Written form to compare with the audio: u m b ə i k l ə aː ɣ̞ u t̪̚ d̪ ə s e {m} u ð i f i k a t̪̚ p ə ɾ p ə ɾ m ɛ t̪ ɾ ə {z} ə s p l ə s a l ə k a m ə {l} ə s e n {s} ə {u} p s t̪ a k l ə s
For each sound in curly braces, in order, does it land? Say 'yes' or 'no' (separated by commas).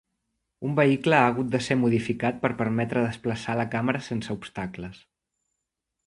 yes, no, no, yes, yes